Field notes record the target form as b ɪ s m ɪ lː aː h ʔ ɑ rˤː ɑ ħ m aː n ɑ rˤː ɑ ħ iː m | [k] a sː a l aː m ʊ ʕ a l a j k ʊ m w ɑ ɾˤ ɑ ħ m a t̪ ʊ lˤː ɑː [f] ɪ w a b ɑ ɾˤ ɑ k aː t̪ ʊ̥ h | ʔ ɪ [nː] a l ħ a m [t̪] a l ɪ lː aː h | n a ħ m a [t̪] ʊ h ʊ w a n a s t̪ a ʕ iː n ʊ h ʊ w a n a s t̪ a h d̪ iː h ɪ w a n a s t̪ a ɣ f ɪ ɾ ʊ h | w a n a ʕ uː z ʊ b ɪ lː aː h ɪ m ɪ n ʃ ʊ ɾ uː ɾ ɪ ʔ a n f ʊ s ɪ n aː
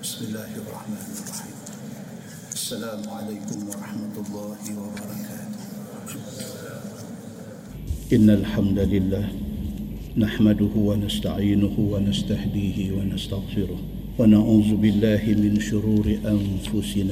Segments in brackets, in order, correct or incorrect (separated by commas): incorrect, incorrect, correct, incorrect, incorrect